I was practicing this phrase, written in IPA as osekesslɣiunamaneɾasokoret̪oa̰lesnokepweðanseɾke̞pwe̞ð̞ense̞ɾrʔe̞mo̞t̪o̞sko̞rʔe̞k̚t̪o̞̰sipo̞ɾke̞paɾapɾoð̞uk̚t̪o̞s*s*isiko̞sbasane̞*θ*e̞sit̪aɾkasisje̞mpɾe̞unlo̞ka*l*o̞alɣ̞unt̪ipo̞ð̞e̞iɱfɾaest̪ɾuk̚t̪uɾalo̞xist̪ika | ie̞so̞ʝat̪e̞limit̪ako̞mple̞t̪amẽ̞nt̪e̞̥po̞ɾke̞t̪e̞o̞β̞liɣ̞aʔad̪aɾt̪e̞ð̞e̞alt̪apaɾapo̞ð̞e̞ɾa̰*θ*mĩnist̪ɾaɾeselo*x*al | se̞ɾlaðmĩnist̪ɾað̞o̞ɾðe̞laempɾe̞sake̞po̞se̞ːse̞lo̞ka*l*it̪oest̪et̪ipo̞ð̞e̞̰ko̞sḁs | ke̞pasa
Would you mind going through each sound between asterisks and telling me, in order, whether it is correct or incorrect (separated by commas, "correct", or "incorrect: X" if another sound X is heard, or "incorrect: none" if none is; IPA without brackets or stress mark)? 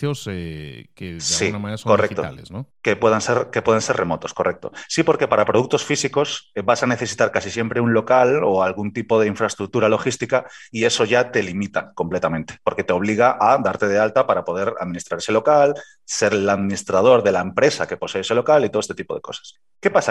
incorrect: f, correct, correct, incorrect: ð, incorrect: k, correct